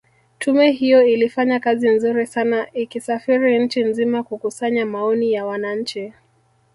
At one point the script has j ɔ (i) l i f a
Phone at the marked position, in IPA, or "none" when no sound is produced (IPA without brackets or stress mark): i